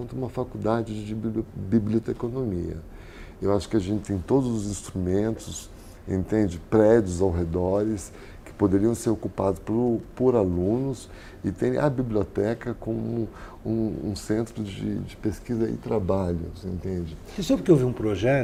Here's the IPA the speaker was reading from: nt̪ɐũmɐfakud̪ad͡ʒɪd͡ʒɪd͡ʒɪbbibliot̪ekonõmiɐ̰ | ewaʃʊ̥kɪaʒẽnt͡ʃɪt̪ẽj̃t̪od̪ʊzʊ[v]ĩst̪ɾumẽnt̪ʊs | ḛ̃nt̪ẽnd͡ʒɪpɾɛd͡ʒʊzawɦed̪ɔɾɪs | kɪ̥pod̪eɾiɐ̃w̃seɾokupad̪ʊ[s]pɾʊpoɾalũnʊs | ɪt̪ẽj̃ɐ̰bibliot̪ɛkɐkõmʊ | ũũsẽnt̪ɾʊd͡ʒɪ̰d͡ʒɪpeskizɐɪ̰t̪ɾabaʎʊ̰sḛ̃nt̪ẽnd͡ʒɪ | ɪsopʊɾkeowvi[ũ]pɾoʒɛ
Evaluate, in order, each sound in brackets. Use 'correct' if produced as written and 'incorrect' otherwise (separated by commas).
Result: incorrect, correct, correct